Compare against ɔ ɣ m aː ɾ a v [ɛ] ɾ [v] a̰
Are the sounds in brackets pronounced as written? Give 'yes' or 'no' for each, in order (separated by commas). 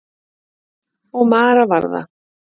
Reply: no, no